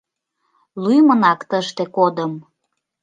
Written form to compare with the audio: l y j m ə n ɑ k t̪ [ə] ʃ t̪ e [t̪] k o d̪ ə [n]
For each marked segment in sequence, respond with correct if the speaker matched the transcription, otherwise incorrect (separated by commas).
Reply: correct, incorrect, incorrect